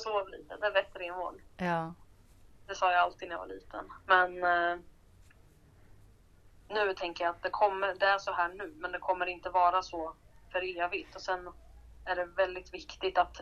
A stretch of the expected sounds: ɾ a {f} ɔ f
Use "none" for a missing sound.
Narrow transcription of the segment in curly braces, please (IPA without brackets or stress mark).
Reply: s